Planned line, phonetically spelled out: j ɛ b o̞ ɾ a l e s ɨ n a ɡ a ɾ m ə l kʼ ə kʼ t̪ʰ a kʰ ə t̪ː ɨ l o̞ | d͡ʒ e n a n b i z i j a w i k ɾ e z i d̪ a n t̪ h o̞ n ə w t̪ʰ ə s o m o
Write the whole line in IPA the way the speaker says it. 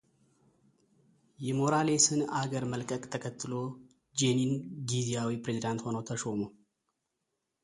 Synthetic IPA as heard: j ɛ m o̞ ɾ a l e s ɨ n a ɡ ə ɾ m ə l kʼ ə kʼ t̪ʰ ə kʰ ə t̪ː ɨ l o̞ | d͡ʒ e n i n ɡ i z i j a w i p ɾ e z i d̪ a n t̪ h o̞ n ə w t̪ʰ ə ʃ o m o